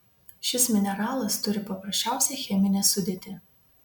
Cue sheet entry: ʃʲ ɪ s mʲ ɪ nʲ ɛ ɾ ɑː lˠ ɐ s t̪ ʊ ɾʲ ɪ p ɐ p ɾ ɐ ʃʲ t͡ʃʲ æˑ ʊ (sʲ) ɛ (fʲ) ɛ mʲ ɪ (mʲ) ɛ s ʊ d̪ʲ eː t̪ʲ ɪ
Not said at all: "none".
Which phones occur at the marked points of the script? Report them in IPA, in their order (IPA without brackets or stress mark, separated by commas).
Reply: sʲ, xʲ, nʲ